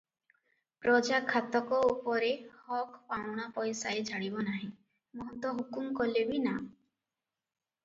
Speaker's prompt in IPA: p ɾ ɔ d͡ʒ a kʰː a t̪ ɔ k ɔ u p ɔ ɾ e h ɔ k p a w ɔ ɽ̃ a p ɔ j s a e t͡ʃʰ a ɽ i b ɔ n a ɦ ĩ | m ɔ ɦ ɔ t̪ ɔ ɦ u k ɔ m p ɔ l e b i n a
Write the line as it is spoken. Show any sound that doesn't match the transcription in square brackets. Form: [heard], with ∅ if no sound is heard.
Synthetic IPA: p ɾ ɔ d͡ʒ a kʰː a t̪ ɔ k ɔ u p ɔ ɾ e h ɔ k p a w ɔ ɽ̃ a p ɔ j s a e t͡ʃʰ a ɽ i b ɔ n a ɦ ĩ | m ɔ ɦ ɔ t̪ ɔ ɦ u k [u] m [k] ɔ l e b i n a